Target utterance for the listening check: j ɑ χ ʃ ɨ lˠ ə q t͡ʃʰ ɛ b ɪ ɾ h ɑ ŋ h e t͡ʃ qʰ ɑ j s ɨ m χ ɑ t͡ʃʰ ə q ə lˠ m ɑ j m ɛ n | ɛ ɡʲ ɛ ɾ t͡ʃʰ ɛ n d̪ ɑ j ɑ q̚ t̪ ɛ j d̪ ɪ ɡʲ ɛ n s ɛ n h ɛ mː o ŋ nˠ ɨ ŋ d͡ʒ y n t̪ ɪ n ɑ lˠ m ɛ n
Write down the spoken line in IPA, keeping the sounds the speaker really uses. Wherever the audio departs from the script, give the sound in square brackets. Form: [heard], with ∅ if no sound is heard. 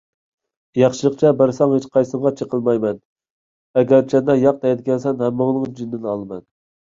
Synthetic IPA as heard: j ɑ χ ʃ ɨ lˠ ə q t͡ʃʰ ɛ b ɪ ɾ [s] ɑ ŋ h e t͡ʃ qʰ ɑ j s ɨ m [ʁ] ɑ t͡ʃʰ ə q ə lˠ m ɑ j m ɛ n | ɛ ɡʲ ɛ ɾ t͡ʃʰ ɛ n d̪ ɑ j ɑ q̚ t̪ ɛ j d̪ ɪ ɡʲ ɛ n s ɛ n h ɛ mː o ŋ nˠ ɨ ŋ d͡ʒ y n [d̪] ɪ n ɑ lˠ m ɛ n